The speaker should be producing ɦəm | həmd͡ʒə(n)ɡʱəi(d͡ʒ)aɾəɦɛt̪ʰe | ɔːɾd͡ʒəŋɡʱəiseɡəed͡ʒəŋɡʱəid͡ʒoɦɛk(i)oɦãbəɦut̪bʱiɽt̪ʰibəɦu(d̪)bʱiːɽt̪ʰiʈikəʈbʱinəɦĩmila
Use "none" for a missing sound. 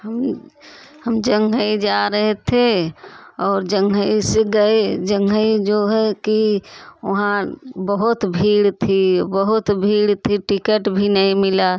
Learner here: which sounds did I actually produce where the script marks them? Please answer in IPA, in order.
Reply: ŋ, d͡ʒ, i, t̪

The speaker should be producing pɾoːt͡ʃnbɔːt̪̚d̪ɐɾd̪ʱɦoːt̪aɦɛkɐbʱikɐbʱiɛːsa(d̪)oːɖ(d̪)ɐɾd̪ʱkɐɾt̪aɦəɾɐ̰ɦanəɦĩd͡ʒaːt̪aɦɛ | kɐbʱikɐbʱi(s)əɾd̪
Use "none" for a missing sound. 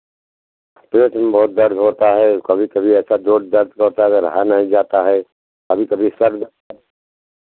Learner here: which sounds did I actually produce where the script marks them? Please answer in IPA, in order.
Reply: d̪, d̪, s

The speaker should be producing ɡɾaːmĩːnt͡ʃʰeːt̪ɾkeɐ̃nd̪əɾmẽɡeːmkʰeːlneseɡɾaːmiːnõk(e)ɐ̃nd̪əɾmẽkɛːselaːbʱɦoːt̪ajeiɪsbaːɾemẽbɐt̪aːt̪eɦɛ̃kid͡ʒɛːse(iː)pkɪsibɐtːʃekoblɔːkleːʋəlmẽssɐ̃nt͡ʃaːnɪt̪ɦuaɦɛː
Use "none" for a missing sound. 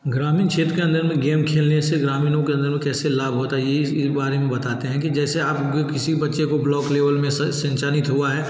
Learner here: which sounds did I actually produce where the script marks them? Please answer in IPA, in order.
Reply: e, aː

